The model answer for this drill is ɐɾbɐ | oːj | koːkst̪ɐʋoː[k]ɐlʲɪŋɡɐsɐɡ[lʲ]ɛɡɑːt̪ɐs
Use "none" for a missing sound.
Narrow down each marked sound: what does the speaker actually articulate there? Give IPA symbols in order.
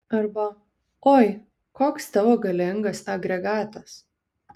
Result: ɡ, ɾʲ

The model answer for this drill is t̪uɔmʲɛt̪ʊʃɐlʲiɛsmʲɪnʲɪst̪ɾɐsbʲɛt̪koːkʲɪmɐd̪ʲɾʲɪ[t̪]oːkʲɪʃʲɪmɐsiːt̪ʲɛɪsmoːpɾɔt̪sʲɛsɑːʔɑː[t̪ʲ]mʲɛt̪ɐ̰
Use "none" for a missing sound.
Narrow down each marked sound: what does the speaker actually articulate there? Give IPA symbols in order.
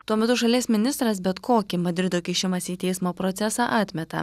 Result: d̪, t̪ʲ

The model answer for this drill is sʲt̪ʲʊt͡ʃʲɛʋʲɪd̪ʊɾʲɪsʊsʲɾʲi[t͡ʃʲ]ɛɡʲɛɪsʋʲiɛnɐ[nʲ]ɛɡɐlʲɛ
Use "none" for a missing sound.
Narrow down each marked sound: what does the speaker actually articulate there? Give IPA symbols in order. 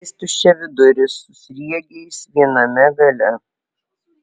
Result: none, mʲ

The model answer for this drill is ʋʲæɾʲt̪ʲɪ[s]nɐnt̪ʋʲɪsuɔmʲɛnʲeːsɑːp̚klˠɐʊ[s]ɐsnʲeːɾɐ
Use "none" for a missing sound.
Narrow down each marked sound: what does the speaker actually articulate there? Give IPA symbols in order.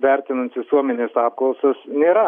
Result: none, s

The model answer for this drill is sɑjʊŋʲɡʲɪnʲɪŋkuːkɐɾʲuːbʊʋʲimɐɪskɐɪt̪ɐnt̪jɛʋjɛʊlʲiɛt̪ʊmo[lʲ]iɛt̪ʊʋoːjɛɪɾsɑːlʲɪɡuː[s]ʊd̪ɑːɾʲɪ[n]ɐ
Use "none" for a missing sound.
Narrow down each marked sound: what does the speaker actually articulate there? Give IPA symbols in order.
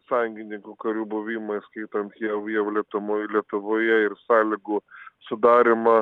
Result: lʲ, s, m

